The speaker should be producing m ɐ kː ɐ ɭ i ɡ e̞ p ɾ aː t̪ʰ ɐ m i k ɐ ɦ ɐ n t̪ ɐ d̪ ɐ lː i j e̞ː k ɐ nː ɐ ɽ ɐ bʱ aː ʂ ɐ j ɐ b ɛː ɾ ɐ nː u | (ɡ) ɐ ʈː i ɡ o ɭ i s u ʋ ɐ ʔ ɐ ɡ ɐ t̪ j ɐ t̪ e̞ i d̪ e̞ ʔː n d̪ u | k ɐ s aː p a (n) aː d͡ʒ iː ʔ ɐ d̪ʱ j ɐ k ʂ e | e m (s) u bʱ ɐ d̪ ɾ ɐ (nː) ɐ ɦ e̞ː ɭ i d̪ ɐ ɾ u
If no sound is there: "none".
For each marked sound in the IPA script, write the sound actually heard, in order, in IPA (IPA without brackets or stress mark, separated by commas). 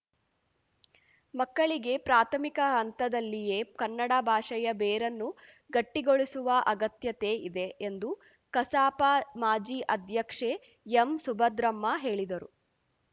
ɡ, m, s, mː